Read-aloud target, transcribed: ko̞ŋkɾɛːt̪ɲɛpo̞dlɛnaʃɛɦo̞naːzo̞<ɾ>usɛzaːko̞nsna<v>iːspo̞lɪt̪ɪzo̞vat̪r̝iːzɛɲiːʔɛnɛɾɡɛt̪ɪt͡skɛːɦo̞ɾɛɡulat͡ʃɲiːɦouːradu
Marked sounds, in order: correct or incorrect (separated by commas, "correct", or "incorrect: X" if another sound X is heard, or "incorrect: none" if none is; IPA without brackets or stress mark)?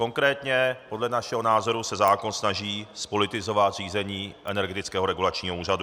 correct, incorrect: ʒ